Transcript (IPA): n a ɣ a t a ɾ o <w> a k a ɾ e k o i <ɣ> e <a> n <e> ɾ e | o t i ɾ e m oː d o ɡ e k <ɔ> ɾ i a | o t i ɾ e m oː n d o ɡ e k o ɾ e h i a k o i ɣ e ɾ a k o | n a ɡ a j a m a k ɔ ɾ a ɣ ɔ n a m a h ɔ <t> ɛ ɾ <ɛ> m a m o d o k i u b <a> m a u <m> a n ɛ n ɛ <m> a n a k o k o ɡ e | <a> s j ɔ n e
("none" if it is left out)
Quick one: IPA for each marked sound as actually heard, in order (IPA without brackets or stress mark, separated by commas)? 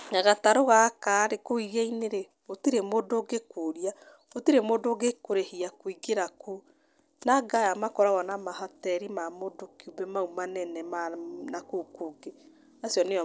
ɣ, ɣ, i, e, o, t, i, ɛ, m, m, a